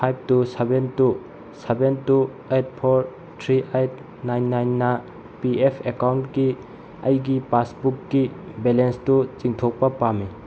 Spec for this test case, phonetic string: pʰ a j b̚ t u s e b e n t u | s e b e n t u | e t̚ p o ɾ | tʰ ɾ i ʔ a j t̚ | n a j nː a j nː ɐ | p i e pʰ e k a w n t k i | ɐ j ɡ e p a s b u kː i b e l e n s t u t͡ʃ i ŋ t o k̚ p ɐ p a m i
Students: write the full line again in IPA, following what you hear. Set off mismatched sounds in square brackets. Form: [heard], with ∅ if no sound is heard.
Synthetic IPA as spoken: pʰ a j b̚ t u s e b e n t u | s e b e n t u | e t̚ [pʰ] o ɾ | tʰ ɾ i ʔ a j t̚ | n a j nː a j nː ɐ | p i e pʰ e k a w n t k i | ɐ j ɡ [i] p a s b u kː i b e l e n s t u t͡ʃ i ŋ [tʰ] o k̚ p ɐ p a m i

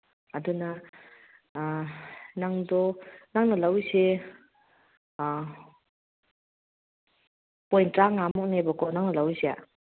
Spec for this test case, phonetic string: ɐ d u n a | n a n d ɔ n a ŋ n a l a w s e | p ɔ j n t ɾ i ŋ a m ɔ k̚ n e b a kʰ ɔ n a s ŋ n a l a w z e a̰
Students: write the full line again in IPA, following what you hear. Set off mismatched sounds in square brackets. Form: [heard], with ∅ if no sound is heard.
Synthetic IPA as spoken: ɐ d u n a | n a [ŋ] d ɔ n a ŋ n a l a w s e | p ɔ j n t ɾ [a] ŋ a m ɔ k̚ n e b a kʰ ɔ n a [∅] ŋ n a l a w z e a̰

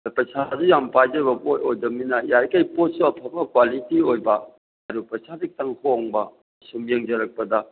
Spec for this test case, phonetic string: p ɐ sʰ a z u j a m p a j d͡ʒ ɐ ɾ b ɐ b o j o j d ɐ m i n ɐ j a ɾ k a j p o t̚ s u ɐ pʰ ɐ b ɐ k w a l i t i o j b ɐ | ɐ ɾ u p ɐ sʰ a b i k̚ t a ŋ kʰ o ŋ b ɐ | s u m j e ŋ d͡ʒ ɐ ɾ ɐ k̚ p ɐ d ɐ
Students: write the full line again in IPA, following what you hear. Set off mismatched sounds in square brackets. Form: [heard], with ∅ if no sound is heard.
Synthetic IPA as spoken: p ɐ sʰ a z u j a m p a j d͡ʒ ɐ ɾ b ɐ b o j o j d ɐ m i n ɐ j a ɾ k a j p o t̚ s u ɐ pʰ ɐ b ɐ k w a l i t i o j b ɐ | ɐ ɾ u p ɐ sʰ a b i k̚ t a ŋ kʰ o ŋ b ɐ | s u m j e ŋ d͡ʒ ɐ ɾ ɐ k̚ p ɐ d ɐ

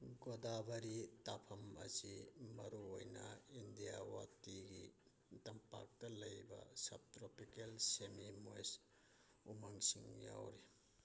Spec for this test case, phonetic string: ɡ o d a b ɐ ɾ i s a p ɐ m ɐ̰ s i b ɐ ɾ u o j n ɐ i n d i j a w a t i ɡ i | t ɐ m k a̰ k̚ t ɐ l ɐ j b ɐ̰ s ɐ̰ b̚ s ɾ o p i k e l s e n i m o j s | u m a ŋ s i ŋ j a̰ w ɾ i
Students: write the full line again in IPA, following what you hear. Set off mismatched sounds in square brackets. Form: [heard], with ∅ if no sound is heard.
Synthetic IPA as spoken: ɡ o d a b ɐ ɾ i [t] a [pʰ] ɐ m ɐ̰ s i [m] ɐ ɾ u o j n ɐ i n d i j a w a t i ɡ i | t ɐ m [p] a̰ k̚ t ɐ l ɐ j b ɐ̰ s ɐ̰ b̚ [t] ɾ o p i k e l s e [m] i m o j s | u m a ŋ s i ŋ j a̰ w ɾ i

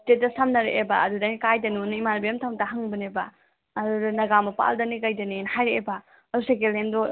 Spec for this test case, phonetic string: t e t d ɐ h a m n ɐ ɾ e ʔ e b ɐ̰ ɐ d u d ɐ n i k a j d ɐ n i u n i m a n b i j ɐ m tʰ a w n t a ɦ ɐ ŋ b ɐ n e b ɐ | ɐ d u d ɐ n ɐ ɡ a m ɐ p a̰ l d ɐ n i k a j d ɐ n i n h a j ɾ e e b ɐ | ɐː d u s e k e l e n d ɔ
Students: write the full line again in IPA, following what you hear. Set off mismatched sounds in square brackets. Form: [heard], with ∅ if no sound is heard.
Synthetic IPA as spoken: t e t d ɐ [s] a m n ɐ ɾ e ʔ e b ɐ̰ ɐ d u d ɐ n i k a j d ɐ n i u n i m a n b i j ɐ m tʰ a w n t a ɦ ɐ ŋ b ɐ n e b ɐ | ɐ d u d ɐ n ɐ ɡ a m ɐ p a̰ l d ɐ n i k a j d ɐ n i n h a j ɾ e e b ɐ | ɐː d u s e k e l e n d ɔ

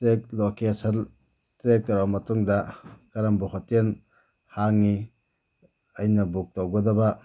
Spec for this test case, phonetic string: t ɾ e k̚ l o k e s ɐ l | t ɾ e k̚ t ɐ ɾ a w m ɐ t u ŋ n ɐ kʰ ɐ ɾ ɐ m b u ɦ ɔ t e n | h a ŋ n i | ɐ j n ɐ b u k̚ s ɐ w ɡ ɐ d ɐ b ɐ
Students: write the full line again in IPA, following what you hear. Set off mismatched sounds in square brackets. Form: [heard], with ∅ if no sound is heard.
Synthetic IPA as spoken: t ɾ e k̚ l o k e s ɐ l | t ɾ e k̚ t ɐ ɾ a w m ɐ t u ŋ [d] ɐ [k] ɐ ɾ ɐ m b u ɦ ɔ t e n | h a ŋ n i | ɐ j n ɐ b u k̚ [t] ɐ w ɡ ɐ d ɐ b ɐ

